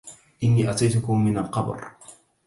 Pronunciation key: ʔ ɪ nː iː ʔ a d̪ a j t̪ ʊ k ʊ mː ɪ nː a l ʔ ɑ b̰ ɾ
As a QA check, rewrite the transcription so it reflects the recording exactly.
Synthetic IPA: ʔ ɪ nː iː ʔ a t̪ a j t̪ ʊ k ʊ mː ɪ n a l q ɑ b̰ ɾ